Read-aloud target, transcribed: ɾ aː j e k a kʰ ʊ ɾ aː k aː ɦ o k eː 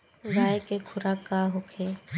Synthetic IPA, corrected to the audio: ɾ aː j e k e kʰ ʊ ɾ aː k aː ɦ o kʰ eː